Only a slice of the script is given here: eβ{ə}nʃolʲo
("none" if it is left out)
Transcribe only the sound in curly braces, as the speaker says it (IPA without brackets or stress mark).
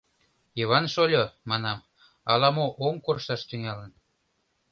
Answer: ɑ